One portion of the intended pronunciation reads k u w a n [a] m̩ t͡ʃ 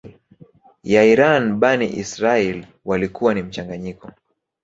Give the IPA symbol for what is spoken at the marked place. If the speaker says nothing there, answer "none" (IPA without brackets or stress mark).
i